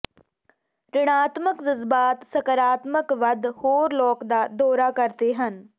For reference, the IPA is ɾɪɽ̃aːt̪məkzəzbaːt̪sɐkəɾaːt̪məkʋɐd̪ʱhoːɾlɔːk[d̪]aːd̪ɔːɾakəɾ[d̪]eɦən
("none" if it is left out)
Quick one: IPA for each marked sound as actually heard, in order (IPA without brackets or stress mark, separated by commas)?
d̪, t̪